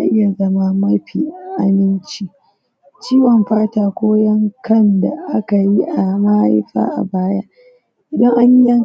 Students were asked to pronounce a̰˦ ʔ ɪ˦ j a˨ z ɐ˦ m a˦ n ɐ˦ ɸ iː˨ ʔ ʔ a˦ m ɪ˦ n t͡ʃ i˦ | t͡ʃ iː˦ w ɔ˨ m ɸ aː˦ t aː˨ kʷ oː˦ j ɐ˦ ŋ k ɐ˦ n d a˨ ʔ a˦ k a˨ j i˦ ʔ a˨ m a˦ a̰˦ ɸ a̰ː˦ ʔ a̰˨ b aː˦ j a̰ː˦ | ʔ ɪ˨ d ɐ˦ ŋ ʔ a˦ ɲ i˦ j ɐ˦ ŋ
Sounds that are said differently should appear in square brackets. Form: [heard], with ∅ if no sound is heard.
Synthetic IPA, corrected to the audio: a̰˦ ʔ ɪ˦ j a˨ z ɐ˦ m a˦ [m] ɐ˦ ɸ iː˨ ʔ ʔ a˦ m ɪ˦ n t͡ʃ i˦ | t͡ʃ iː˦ w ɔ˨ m ɸ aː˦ t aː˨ kʷ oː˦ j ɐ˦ ŋ k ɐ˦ n d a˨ ʔ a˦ k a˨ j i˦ ʔ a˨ m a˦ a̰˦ ɸ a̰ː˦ ʔ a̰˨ b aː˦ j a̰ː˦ | ʔ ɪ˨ d ɐ˦ ŋ ʔ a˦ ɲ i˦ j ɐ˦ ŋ